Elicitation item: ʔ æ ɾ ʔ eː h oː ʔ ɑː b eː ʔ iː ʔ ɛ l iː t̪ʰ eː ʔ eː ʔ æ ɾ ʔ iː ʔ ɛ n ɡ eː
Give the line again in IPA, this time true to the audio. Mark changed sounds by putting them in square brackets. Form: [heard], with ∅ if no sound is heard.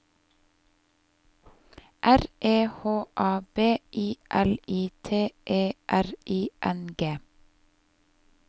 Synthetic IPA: ʔ æ ɾ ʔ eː h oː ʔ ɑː b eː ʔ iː ʔ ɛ l iː t̪ʰ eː ʔ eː ʔ æ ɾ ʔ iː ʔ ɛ n ɡ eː